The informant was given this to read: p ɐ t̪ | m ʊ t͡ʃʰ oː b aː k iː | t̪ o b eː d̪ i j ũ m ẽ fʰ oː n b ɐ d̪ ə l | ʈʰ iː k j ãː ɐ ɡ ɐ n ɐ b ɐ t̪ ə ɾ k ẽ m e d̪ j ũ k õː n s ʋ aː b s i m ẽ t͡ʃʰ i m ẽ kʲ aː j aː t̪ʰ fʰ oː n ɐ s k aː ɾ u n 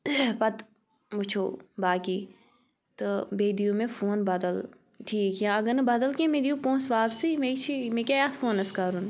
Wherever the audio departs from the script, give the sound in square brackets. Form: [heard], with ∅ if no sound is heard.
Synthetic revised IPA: p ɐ t̪ | m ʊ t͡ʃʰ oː b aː k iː | t̪ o b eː d̪ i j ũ m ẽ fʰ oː n b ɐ d̪ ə l | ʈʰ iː k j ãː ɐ ɡ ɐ n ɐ b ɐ [d̪] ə [l] k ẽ m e d̪ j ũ [p] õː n s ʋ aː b s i m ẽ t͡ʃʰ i m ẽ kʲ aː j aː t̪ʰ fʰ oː n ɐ s k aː ɾ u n